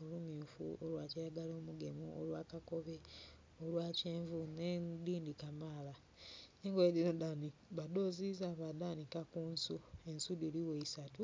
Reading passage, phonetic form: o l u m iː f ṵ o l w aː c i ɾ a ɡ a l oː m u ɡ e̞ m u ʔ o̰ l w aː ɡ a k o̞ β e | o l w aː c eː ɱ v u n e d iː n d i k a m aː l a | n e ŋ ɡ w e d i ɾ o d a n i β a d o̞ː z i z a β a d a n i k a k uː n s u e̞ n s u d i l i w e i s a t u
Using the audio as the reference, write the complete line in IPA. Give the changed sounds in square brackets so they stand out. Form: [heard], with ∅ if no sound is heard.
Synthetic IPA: o l u m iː f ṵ o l w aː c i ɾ a ɡ a l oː m u ɡ e̞ m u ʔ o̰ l w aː [k] a k o̞ β e | o l w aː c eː ɱ v u n e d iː n d i k a m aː l a | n e ŋ ɡ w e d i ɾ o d a n i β a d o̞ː z i z a β a d a n i k a k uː n s u e̞ n s u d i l i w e i s a t u